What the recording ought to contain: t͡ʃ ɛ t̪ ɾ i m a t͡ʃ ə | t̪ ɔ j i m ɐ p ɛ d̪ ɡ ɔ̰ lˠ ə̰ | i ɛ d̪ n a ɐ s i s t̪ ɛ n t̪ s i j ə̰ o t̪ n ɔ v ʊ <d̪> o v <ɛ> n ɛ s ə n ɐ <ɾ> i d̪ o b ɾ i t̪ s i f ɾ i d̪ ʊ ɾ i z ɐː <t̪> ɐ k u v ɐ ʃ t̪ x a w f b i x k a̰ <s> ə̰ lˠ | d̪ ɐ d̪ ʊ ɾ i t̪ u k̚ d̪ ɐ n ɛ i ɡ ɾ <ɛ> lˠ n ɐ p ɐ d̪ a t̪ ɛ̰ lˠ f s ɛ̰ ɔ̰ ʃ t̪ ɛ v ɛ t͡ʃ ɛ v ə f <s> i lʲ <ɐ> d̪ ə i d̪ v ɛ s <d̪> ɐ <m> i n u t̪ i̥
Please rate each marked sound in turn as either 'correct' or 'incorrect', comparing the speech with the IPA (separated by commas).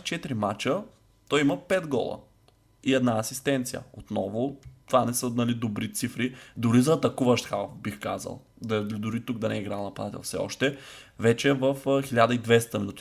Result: incorrect, incorrect, incorrect, correct, incorrect, incorrect, incorrect, incorrect, incorrect, correct